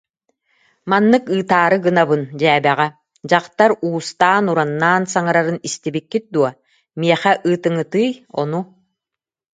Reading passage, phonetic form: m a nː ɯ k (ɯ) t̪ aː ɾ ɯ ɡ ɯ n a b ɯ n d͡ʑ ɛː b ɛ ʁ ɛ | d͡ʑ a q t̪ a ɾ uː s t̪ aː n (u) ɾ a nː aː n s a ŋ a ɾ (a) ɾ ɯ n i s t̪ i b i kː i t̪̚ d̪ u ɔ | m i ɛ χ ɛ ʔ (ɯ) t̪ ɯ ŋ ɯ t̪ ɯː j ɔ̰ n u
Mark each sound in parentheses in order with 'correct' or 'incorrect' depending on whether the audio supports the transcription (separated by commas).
incorrect, correct, correct, incorrect